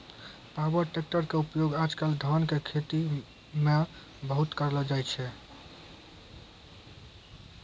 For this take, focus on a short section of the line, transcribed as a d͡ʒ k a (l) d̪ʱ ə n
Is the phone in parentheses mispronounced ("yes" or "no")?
no